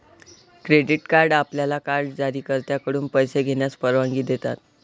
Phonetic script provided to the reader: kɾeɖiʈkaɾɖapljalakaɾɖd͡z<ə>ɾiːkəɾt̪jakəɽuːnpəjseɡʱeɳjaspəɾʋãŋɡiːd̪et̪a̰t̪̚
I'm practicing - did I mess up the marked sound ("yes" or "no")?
yes